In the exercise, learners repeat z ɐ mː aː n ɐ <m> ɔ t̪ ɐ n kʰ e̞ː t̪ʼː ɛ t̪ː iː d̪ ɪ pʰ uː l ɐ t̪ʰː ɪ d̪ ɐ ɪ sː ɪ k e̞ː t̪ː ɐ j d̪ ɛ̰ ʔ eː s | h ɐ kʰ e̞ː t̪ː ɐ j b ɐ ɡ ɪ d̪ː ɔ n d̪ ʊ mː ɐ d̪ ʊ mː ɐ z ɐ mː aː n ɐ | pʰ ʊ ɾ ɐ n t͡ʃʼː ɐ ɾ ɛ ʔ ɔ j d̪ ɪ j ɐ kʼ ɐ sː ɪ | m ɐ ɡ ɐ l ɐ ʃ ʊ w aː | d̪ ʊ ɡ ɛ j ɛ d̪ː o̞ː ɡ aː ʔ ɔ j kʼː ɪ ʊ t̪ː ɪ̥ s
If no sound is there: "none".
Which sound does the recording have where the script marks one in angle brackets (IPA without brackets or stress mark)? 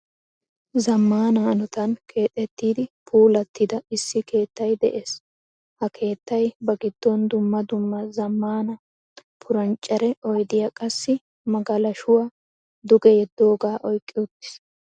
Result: n